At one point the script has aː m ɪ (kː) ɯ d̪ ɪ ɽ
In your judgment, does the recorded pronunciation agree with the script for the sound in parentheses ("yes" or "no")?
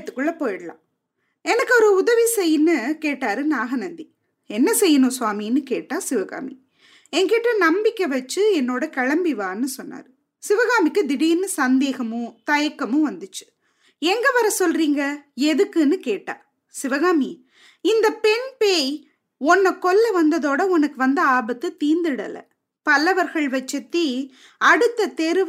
yes